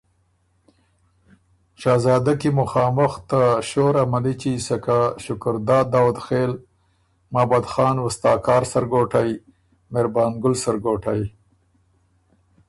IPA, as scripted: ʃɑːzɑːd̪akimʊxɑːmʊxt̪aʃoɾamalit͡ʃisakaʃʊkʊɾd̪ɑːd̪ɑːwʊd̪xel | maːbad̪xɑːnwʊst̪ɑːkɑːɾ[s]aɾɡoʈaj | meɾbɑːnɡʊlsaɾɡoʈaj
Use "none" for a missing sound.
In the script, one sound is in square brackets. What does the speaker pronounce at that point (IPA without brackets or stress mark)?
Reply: s